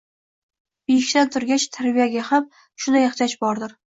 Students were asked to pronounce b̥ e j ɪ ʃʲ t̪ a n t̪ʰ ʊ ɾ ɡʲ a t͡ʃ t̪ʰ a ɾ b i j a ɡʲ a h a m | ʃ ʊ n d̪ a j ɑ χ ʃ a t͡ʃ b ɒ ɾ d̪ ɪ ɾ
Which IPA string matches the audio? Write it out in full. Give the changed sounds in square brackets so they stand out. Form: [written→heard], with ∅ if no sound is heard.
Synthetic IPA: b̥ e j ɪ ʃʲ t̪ a n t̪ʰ ʊ ɾ ɡʲ a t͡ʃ t̪ʰ a ɾ b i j a ɡʲ a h a m | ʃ ʊ n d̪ a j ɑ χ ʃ a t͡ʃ b ɒ ɾ d̪ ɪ ɾ